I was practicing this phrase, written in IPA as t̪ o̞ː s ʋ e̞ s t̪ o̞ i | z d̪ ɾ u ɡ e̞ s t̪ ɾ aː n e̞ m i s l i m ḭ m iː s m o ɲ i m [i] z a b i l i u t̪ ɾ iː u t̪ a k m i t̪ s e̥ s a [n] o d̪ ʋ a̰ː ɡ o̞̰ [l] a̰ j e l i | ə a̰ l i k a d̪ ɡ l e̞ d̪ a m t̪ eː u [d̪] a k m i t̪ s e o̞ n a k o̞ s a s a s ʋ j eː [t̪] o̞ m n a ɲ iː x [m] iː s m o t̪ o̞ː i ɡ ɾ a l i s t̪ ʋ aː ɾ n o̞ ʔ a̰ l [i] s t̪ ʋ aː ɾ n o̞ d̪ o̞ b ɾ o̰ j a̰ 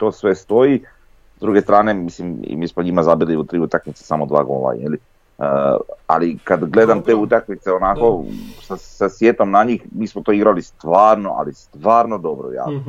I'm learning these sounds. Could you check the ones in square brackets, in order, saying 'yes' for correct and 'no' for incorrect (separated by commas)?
no, no, yes, no, yes, yes, yes